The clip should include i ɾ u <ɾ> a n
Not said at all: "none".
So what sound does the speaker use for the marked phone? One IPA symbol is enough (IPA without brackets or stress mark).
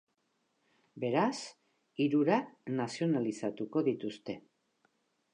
ɾ